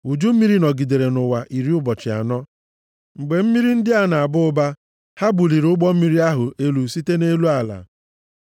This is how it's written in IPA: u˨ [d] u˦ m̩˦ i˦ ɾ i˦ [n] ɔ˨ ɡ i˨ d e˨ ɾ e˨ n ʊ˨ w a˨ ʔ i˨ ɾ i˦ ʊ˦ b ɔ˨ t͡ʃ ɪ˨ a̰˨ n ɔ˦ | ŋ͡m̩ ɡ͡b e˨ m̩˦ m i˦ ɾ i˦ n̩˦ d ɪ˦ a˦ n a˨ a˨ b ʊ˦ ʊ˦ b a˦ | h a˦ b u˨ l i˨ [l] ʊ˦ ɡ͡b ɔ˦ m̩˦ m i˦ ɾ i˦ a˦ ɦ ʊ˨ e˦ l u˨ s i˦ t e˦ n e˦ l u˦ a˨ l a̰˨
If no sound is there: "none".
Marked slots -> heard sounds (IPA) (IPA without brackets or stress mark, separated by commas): d͡ʒ, n, ɾ